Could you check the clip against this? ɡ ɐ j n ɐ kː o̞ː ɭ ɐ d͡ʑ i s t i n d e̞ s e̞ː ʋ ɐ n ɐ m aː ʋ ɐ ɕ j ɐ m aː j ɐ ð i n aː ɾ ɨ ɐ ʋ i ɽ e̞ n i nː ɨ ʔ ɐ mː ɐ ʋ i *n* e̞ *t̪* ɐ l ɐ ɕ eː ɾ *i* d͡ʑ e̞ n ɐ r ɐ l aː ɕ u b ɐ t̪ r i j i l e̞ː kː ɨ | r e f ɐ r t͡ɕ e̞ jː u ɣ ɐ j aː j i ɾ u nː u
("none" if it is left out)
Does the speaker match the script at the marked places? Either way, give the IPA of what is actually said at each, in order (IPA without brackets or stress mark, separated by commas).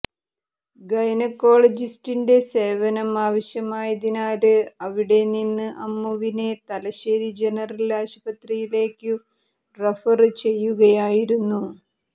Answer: n, t̪, i